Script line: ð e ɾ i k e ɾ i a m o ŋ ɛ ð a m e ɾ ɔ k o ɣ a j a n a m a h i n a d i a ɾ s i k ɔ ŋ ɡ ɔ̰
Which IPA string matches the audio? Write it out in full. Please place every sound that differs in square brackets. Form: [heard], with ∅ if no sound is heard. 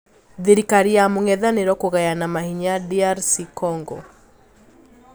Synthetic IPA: ð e ɾ i k [a] ɾ i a m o ŋ ɛ ð a [n] e ɾ ɔ k o ɣ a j a n a m a h i [ɲ] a d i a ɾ s i k ɔ ŋ ɡ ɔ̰